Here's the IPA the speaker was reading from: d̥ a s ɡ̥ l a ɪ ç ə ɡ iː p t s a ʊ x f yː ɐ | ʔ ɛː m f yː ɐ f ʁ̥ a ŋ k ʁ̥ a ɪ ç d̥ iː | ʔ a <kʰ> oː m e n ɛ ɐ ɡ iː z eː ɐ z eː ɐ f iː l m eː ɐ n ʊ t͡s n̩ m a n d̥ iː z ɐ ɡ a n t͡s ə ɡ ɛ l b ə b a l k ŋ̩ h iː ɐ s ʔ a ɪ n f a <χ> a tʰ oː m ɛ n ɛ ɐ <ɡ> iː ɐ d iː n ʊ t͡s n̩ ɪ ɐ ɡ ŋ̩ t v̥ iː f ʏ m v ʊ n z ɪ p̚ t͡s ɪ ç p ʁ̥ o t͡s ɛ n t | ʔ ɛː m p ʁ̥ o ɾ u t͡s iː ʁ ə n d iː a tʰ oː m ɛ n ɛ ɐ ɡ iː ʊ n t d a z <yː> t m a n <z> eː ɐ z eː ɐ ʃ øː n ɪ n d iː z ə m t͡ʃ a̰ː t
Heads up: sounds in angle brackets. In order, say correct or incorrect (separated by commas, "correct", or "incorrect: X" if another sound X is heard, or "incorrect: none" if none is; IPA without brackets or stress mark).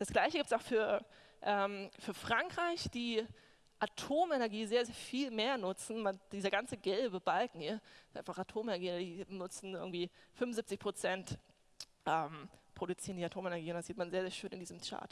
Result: incorrect: tʰ, correct, correct, incorrect: iː, correct